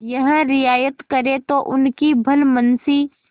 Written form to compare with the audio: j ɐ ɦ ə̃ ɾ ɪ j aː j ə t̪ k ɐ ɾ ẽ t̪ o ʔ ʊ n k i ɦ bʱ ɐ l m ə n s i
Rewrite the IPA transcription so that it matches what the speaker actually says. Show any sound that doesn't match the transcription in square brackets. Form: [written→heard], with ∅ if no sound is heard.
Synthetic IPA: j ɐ ɦ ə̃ ɾ ɪ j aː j ə t̪ k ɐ ɾ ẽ t̪ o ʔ ʊ n k i [ɦ→∅] bʱ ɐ l m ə n s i

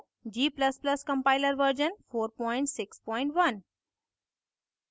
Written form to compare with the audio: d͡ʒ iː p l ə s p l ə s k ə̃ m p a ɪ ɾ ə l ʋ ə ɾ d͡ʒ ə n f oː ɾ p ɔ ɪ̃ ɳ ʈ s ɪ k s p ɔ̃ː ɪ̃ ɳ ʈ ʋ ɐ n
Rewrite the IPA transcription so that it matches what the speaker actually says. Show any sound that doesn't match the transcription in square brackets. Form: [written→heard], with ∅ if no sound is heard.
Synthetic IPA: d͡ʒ iː p l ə s p l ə s k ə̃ m p a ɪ [ɾ→l] ə [l→ɾ] ʋ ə ɾ d͡ʒ ə n f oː ɾ p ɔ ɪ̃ ɳ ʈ s ɪ k s p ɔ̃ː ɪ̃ ɳ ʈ ʋ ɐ n

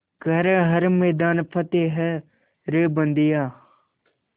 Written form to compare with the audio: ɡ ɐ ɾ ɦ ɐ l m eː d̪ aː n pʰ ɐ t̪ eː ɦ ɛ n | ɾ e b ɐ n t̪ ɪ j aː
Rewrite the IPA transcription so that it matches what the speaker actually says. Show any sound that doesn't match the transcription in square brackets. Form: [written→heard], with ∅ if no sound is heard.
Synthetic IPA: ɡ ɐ ɾ ɦ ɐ [l→ɾ] m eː d̪ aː n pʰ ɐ t̪ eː ɦ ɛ [n→∅] | ɾ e b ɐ n [t̪→d̪] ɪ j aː

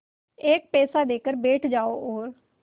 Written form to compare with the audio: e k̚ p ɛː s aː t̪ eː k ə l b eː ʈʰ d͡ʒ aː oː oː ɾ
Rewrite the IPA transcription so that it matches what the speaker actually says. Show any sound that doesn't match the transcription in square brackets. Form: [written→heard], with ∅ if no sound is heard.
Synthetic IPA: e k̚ p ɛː s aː [t̪→d̪] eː k ə [l→ɾ] b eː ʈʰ d͡ʒ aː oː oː ɾ

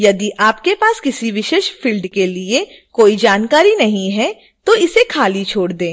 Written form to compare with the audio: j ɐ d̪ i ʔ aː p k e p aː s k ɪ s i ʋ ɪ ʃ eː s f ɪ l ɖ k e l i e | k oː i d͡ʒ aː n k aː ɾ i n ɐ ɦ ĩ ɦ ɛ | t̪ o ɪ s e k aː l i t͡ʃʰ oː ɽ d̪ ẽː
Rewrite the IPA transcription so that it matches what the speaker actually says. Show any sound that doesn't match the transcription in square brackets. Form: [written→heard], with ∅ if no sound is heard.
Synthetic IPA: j ɐ d̪ i ʔ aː p k e p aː s k ɪ s i ʋ ɪ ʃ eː [s→ʃ] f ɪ l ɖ k e l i e | k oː i d͡ʒ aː n k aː ɾ i n ɐ ɦ ĩ ɦ ɛ | t̪ o ɪ s e [k→kʰ] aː l i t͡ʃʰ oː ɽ d̪ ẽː

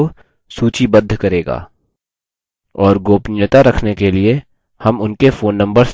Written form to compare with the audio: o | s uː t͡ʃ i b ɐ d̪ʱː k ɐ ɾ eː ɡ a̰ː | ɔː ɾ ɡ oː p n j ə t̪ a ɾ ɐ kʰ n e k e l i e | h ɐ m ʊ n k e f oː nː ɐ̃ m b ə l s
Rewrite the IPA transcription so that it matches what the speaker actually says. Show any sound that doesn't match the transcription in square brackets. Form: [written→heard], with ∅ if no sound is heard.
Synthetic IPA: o | s uː t͡ʃ i b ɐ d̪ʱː k ɐ ɾ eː ɡ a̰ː | ɔː ɾ ɡ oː p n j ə t̪ a ɾ ɐ kʰ n e k e l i e | h ɐ m ʊ n k e f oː nː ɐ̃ m b ə [l→ɾ] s

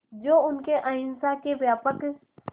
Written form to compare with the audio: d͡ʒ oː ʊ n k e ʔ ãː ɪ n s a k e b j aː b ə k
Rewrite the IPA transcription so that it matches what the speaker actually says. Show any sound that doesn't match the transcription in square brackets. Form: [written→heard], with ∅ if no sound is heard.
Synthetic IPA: d͡ʒ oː ʊ n k e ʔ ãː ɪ n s a k e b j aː [b→p] ə k

